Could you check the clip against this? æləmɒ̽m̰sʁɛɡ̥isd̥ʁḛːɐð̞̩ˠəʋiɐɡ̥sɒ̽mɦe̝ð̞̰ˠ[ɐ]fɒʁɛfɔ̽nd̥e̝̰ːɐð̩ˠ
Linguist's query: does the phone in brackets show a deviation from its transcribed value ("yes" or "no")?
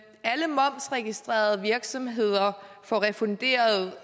no